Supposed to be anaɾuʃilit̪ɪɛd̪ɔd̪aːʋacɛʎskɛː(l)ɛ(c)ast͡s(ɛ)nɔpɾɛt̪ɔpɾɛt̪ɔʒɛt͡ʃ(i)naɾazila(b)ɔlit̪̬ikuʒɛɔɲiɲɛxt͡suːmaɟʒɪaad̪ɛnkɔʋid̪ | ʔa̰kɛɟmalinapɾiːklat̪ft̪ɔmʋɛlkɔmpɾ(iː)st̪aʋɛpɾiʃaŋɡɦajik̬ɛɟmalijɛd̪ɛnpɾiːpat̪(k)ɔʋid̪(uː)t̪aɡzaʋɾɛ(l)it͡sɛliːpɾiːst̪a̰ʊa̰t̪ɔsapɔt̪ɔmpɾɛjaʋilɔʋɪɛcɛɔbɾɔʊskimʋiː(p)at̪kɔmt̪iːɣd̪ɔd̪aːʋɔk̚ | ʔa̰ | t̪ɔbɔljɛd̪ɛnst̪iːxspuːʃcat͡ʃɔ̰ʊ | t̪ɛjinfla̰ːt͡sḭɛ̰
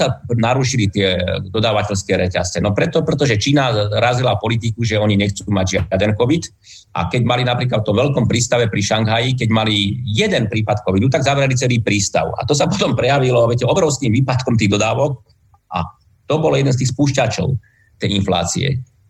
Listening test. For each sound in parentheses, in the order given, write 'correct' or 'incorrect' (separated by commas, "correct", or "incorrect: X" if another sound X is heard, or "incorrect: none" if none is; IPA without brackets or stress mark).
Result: incorrect: ɾ, correct, correct, incorrect: iː, incorrect: p, correct, correct, incorrect: u, correct, correct